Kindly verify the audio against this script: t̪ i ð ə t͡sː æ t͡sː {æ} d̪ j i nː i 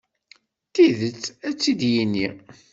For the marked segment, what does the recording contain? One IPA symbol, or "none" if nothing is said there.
i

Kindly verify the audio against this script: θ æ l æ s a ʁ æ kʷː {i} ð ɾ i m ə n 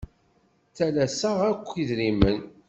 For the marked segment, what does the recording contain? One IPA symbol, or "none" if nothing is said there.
i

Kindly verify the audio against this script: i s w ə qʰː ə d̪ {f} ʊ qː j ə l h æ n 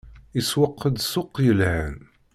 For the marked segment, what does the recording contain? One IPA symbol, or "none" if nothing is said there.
s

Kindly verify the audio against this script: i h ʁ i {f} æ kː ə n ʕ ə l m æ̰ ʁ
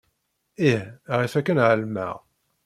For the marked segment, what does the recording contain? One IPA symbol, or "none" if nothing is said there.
f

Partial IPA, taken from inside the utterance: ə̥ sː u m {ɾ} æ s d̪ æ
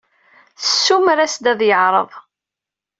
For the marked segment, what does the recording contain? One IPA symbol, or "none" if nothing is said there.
ɾ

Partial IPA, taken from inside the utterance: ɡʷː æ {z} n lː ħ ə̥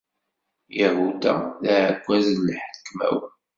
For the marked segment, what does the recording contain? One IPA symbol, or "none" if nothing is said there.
z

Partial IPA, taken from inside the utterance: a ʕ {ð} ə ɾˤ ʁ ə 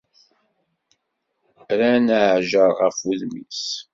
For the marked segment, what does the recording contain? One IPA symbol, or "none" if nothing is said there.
ʒ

